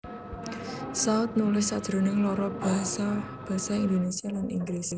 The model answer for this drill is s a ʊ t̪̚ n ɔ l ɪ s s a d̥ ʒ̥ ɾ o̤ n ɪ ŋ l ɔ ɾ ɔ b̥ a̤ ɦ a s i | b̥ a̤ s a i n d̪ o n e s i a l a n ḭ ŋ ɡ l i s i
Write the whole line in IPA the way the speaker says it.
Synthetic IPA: s a ʊ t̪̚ n u l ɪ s s a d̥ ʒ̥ ɾ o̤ n ɪ ŋ l ɔ ɾ ɔ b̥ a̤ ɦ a s a | b̥ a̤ s a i n d̪ o n e s i a l a n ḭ ŋ ɡ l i s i